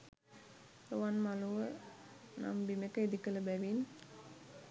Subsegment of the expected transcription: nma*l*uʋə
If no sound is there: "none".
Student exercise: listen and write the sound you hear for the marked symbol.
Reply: l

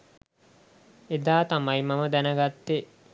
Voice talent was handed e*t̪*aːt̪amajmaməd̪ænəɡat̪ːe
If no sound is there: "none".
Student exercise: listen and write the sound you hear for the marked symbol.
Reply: d̪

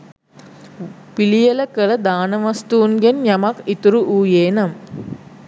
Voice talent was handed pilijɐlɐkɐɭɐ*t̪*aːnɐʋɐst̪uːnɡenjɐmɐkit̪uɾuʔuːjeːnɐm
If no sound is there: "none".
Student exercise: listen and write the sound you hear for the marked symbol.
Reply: d̪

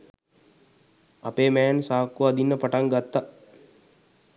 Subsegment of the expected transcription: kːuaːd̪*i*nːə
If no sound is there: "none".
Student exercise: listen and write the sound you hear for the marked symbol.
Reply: i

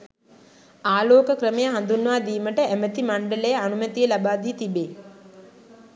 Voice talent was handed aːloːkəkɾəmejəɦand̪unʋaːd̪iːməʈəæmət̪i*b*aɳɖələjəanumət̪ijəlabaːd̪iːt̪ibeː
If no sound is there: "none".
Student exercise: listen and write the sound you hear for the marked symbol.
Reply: m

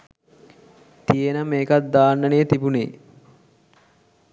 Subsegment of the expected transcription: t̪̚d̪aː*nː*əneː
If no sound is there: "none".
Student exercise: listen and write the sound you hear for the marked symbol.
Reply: nː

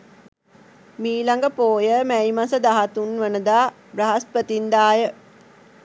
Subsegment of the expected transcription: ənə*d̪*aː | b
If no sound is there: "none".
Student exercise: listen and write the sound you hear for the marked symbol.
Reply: d̪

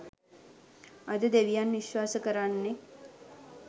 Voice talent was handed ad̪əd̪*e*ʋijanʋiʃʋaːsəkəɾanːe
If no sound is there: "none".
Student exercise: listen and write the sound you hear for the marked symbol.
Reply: e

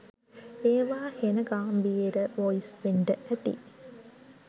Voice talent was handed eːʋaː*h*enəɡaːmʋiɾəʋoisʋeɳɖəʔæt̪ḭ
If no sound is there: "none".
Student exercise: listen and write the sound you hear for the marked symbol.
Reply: h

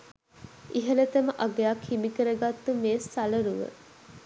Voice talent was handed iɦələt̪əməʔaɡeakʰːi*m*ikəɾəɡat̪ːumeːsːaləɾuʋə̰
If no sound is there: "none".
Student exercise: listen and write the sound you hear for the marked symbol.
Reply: m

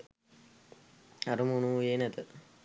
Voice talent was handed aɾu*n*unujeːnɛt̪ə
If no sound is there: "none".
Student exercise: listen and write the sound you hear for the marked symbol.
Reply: m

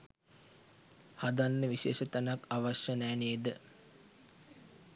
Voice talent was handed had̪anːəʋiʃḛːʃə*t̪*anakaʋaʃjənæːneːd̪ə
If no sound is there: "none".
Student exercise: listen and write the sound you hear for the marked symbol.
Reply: t̪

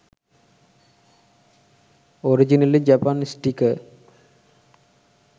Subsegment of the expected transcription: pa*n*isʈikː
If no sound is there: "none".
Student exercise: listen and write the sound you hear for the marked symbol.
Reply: n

